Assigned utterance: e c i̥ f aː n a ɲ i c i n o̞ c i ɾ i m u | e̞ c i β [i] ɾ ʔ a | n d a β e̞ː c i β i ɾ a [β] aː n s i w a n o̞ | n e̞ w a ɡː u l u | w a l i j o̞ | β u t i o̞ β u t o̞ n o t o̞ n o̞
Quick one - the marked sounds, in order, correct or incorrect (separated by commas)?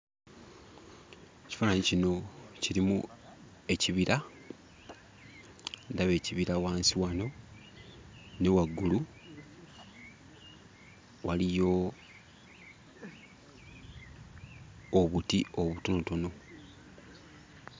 correct, incorrect